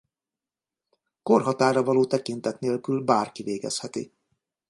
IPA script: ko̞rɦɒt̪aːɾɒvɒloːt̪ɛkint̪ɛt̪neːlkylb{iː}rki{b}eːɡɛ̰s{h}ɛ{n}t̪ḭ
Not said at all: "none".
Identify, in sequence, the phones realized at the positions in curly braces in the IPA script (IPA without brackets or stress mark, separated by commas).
aː, v, h, none